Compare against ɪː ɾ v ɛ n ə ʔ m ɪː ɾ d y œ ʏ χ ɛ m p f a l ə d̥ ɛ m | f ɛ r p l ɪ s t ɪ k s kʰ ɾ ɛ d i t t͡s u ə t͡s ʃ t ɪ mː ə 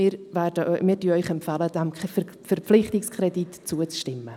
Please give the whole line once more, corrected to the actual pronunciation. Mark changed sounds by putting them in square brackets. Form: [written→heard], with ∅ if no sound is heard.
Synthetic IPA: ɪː ɾ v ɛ [n→d] ə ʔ m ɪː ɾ d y œ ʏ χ ɛ m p f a l ə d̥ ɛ m | f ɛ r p l ɪ [s→χ] t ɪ k s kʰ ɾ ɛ d i t t͡s u ə t͡s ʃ t ɪ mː ə